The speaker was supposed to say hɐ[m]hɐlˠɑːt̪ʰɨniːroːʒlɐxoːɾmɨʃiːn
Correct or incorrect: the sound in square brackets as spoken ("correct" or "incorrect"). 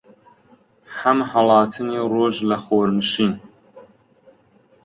correct